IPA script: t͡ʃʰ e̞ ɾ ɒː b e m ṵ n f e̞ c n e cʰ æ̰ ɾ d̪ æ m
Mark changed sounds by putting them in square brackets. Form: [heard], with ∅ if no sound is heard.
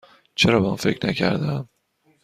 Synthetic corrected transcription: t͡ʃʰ e̞ ɾ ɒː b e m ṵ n f e̞ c n [æ] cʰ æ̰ ɾ d̪ æ m